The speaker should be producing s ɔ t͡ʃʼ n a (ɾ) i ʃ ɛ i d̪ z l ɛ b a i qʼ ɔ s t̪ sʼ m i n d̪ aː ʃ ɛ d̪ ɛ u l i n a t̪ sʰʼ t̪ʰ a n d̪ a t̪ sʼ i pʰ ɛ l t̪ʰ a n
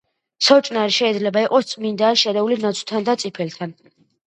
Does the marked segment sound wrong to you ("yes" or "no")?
no